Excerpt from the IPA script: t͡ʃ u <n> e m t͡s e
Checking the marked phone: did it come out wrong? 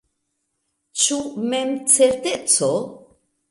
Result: yes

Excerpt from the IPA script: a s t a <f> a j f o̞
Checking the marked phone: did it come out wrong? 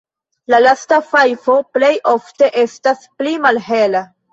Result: no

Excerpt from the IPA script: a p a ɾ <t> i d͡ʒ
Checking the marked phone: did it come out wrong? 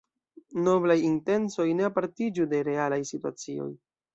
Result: no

